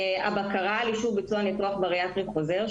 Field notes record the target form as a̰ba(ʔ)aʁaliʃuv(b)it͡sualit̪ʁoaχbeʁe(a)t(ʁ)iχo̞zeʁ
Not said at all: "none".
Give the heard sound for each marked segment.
k, b, a, ʁ

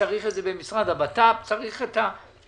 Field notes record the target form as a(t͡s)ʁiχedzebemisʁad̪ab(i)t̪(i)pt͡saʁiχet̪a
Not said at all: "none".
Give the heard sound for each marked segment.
none, a, a

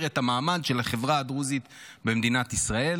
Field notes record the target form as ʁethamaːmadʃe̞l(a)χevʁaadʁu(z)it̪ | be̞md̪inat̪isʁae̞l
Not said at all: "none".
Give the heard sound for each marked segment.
a, z

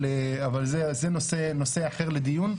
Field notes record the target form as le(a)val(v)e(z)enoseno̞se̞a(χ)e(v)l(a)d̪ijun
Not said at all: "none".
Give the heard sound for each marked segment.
a, z, z, χ, ʁ, e

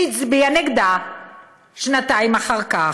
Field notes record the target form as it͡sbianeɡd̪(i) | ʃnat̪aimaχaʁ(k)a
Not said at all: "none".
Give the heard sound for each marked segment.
a, k

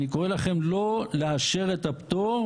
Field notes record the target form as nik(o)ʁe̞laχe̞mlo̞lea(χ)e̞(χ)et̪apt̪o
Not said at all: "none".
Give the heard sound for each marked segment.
o, ʃ, ʁ

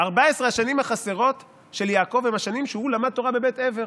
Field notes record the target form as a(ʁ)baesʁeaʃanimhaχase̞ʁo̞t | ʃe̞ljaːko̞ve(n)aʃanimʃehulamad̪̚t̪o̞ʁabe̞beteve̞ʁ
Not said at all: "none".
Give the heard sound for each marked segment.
ʁ, m

